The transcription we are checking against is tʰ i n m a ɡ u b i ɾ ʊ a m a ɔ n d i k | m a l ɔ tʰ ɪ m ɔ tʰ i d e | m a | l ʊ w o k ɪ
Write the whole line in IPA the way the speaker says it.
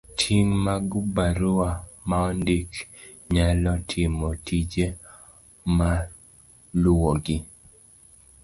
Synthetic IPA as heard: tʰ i ŋ m a ɡ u b a ɾ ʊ a m a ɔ n d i k | ɲ a l ɔ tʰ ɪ m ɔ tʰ i d͡ʒ e | m a | l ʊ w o ɡ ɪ